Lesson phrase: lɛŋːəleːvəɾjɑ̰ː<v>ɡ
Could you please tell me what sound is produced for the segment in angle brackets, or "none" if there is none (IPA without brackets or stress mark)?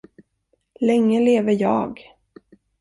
none